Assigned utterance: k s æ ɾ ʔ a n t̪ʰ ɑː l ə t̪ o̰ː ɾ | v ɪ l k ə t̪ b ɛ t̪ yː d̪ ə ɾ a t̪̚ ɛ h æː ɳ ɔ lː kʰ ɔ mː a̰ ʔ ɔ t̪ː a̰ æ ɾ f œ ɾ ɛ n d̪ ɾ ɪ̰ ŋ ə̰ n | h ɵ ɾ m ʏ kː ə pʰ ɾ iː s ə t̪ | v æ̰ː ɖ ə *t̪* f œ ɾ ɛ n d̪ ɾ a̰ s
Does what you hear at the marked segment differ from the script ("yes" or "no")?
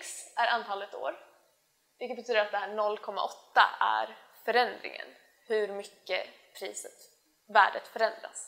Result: no